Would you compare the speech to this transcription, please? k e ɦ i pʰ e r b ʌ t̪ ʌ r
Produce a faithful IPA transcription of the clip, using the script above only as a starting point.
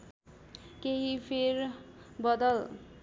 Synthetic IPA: k e ɦ i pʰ e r b ʌ d̪ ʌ l